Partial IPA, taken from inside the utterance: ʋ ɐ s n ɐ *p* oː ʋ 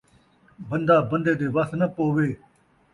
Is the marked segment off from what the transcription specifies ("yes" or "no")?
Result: no